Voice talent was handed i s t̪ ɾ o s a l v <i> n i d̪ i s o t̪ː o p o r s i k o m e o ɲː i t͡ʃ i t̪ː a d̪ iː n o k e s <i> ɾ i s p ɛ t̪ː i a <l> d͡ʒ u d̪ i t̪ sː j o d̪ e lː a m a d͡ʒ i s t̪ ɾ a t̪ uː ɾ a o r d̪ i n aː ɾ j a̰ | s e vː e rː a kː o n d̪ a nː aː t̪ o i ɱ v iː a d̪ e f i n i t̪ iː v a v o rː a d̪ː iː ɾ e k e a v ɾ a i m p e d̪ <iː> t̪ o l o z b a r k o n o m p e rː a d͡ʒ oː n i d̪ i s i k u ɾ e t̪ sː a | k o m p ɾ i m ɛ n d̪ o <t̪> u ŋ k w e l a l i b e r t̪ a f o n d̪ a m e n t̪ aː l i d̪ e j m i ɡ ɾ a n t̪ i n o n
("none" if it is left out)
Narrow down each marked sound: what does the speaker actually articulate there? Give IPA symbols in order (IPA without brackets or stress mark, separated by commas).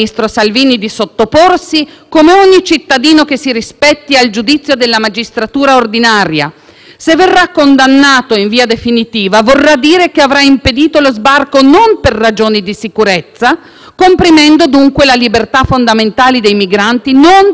iː, i, l, iː, d̪